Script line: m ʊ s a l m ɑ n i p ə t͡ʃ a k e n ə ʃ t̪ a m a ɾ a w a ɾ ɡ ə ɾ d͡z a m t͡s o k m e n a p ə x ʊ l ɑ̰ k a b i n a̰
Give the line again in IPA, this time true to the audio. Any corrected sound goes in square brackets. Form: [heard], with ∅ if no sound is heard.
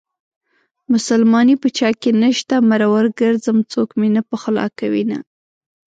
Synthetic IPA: m ʊ s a l m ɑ n i p ə t͡ʃ [ɑ] k e n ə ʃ t̪ a m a ɾ a w a ɾ ɡ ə ɾ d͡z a m t͡s o k m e n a p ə x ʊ l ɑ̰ k a [w] i n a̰

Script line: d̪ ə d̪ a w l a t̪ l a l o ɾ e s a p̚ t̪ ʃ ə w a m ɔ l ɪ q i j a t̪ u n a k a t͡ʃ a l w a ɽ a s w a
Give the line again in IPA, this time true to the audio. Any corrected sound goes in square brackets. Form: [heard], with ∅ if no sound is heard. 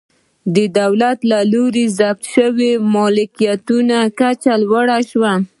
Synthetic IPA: d̪ ə d̪ a w l a t̪ l a l o ɾ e [z] a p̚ t̪ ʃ ə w [e] m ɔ l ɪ [k] i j a t̪ u n a k a t͡ʃ a l w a ɽ a [ʃ] w a

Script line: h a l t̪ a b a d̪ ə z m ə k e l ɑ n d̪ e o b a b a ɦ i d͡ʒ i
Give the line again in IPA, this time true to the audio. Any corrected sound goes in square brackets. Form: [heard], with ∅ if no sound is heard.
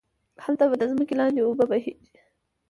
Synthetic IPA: h a l t̪ a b a d̪ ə z m ə k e l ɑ n d̪ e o b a b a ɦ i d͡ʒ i

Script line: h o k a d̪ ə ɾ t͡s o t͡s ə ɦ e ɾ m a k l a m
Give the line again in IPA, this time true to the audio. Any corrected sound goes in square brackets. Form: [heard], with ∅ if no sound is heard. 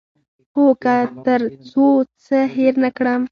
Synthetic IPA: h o k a [t̪] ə ɾ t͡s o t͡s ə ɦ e ɾ [n] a k [ɽ] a m

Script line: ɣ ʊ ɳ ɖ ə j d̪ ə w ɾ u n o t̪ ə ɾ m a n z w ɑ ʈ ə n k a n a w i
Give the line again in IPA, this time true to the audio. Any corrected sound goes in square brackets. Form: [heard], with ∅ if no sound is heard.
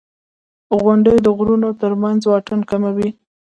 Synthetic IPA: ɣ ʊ ɳ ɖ ə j d̪ ə [ɣ] ɾ u n o t̪ ə ɾ m a n z w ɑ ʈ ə n k a [m] a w i

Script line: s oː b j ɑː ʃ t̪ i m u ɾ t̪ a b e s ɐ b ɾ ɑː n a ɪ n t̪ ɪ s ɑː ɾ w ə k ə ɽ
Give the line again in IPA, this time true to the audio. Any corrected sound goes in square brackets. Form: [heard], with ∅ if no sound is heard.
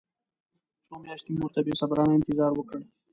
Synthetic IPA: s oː [m] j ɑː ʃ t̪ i m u ɾ t̪ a b e s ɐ b ɾ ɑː n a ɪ n t̪ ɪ [z] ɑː ɾ w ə k ə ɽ

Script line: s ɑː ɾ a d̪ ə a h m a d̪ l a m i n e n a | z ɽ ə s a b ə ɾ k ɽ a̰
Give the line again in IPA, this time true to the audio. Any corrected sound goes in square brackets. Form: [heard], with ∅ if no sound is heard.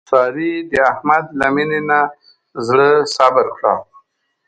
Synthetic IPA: s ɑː ɾ [i] d̪ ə a h m a d̪ l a m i n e n a | z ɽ ə s a b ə ɾ k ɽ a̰

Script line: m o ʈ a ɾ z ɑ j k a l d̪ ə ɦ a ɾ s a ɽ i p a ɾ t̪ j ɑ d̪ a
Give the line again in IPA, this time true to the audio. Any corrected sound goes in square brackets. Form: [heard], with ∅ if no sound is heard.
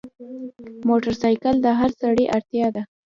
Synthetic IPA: m o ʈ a ɾ [s] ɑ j k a l d̪ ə ɦ a ɾ s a ɽ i [ʔ] a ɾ t̪ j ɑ d̪ a

